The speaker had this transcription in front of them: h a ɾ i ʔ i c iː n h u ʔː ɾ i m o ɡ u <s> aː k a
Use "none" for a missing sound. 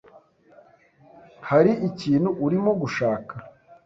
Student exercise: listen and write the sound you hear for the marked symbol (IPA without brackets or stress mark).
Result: ʃ